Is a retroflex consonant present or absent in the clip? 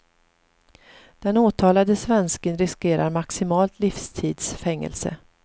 absent